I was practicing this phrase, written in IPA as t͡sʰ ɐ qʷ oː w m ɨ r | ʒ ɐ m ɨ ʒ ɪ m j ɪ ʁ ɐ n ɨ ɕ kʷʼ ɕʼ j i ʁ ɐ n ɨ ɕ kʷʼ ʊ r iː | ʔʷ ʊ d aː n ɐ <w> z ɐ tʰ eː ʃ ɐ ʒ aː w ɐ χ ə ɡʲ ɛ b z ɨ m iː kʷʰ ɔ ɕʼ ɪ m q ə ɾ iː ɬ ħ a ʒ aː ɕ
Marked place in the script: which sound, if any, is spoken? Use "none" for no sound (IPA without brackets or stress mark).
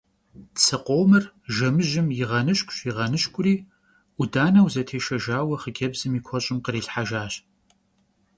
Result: w